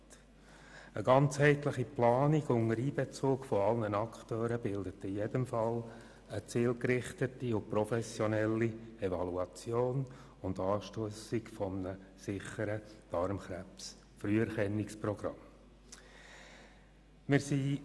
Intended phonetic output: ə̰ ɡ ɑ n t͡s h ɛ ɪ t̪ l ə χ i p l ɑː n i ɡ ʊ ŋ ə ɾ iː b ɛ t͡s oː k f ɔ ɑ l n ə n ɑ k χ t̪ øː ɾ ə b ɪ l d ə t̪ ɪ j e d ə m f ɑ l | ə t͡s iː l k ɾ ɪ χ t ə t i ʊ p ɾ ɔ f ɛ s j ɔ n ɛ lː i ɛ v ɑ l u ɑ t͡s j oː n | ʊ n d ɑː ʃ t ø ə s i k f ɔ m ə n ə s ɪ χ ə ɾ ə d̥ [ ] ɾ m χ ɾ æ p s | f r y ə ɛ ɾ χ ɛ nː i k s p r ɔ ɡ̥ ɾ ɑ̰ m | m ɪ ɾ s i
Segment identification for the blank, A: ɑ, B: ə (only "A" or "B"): A